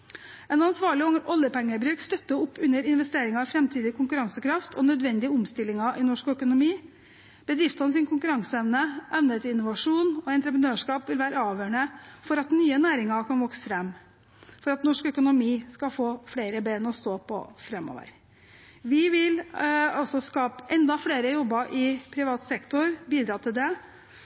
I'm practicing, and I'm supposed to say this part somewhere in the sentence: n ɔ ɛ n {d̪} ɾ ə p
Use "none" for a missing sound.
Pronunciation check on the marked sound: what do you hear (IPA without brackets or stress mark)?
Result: t̪